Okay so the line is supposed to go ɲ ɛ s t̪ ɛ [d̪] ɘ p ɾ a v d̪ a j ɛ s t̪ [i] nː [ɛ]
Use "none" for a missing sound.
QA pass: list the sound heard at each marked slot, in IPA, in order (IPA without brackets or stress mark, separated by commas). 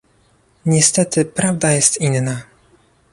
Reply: t̪, i, a